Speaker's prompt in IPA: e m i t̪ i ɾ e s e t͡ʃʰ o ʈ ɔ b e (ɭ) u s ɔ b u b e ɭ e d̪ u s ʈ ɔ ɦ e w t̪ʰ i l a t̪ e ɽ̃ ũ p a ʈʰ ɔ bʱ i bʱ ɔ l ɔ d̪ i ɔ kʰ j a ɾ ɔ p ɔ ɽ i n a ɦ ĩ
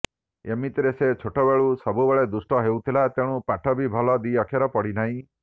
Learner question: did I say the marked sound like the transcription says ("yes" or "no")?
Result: yes